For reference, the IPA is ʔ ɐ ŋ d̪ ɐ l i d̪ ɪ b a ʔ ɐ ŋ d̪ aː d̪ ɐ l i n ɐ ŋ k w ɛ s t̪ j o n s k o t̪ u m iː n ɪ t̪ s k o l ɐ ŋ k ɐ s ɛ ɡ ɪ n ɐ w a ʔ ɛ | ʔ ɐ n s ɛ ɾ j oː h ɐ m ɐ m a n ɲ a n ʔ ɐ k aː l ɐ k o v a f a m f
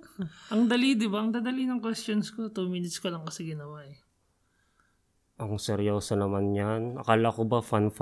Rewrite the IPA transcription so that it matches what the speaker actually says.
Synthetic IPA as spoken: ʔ ɐ ŋ d̪ ɐ l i d̪ ɪ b a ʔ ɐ ŋ d̪ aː d̪ ɐ l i n ɐ ŋ k w ɛ s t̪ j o n s k o t̪ u m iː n ɪ t̪ s k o l ɐ ŋ k ɐ s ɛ ɡ ɪ n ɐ w a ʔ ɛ | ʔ ɐ ŋ s ɛ ɾ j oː s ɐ n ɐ m a n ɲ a n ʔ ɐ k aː l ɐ k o b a f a n f